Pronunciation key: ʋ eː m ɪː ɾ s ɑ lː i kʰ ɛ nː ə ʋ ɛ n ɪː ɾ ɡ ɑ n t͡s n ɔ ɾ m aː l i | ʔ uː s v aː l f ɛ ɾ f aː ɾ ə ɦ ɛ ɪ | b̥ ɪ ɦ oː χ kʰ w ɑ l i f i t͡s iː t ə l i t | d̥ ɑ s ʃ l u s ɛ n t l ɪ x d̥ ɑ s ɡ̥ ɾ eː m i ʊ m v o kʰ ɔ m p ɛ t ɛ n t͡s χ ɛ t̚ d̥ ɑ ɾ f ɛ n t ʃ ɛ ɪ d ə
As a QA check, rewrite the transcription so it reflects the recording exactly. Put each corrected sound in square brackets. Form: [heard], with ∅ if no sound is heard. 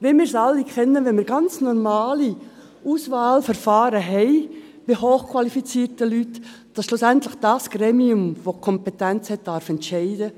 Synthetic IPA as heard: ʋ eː m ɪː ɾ s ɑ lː i kʰ ɛ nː ə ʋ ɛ [m] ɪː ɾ ɡ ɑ n t͡s n ɔ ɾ m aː l i | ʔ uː s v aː l f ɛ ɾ f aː ɾ ə ɦ ɛ ɪ | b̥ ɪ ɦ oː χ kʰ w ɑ l i f i t͡s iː t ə l [y] t | d̥ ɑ s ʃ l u s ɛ n t l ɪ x d̥ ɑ s ɡ̥ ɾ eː m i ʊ m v o kʰ ɔ m p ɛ t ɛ n t͡s [h] ɛ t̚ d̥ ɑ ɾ f ɛ n t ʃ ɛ ɪ d ə